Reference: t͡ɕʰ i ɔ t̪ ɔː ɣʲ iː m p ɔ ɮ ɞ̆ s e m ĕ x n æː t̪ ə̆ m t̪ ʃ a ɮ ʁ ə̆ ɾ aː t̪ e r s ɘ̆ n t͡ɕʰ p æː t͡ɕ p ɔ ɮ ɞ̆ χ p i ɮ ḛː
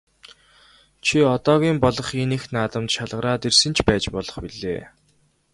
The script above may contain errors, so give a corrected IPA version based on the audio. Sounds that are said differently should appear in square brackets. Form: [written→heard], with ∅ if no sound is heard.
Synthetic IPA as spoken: t͡ɕʰ i ɔ t̪ ɔː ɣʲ iː m p ɔ ɮ ɞ̆ [s→χ] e [m→n] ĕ x n [æː→aː] t̪ ə̆ m t̪ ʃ a ɮ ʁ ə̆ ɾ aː t̪ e r s ɘ̆ n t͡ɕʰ p æː t͡ɕ p ɔ ɮ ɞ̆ χ p i ɮ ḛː